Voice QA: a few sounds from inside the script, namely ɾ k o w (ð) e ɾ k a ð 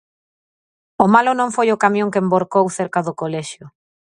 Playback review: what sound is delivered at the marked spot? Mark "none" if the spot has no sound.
θ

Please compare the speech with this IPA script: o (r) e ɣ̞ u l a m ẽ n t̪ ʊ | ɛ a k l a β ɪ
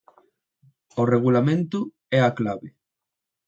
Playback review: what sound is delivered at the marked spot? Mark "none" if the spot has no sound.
r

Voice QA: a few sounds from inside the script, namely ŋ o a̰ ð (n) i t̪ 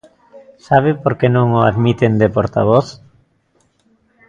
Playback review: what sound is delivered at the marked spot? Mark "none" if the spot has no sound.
m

